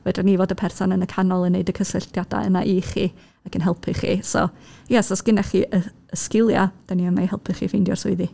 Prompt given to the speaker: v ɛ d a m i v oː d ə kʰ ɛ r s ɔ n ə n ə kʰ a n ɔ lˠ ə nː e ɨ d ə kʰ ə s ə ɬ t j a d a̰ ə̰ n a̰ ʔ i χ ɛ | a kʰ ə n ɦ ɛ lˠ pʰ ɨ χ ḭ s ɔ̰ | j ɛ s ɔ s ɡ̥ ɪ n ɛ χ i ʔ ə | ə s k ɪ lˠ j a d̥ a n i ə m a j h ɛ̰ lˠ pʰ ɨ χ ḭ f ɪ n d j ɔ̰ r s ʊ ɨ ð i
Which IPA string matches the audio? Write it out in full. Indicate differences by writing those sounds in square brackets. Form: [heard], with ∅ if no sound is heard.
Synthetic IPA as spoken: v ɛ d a [n] i v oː d ə [pʰ] ɛ r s ɔ n ə n ə kʰ a n ɔ lˠ ə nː e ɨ d ə kʰ ə s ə ɬ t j a d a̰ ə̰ n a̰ ʔ i χ [i] | a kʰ ə n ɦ ɛ lˠ pʰ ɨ χ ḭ s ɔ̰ | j ɛ s ɔ s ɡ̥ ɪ n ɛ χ i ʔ ə | ə s k ɪ lˠ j a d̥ a n i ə m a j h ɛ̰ lˠ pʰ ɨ χ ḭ f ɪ n d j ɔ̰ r s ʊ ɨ ð i